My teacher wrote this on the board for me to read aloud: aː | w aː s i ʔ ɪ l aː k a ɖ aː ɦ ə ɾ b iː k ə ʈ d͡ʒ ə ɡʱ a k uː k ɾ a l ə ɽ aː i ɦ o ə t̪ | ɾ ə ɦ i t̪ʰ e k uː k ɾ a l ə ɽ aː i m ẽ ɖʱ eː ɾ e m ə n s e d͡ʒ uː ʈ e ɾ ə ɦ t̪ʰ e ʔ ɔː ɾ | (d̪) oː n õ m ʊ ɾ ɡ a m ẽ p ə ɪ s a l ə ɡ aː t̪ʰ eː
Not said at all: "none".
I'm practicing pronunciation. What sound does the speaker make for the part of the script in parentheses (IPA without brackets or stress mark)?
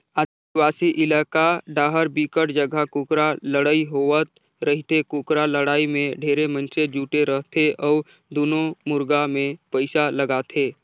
d̪